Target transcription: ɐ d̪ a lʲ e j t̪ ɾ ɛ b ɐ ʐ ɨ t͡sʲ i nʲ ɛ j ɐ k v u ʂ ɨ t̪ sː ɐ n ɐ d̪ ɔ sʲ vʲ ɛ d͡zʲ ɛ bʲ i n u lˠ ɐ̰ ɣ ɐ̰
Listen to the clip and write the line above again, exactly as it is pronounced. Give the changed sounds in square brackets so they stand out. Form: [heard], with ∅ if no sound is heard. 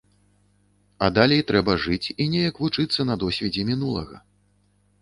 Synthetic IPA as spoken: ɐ d̪ a lʲ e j t̪ ɾ ɛ b ɐ ʐ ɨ t͡sʲ i nʲ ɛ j ɐ k v u [t͡ʂ] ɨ t̪ sː ɐ n ɐ d̪ ɔ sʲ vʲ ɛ d͡zʲ ɛ [mʲ] i n u lˠ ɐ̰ ɣ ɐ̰